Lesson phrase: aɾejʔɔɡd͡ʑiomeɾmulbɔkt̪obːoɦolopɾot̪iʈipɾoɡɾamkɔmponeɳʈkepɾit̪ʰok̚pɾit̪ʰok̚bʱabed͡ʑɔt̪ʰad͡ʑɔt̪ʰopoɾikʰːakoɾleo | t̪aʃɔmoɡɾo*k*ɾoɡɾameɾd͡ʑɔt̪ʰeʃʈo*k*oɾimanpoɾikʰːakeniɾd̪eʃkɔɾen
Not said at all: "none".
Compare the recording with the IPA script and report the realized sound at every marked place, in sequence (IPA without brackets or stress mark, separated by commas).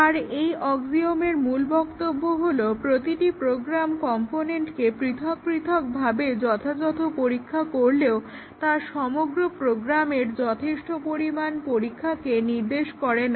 p, p